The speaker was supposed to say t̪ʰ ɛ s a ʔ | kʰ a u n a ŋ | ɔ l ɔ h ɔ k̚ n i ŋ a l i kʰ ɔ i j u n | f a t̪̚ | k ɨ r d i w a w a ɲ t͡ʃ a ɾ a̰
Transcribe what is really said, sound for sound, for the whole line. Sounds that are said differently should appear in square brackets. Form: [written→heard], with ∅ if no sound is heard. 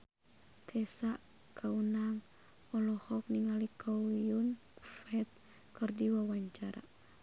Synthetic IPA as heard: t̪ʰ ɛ s a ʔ | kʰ a u n a ŋ | ɔ l ɔ h ɔ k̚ n i ŋ a l i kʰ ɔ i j u n | f [a→ɛ] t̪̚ | k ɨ r d i w a w a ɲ t͡ʃ a ɾ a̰